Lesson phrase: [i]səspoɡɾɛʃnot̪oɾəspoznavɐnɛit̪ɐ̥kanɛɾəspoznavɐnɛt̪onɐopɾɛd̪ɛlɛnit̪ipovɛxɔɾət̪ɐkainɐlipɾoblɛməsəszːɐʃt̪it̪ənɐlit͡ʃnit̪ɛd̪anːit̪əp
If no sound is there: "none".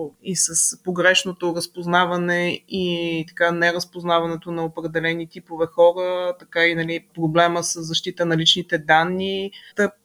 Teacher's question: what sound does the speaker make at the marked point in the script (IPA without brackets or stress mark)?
i